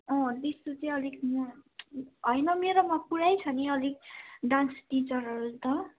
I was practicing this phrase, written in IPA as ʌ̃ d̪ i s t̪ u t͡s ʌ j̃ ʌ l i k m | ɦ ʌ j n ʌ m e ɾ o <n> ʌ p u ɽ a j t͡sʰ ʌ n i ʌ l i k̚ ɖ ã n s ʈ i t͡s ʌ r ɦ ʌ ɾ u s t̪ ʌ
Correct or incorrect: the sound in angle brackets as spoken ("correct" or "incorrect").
incorrect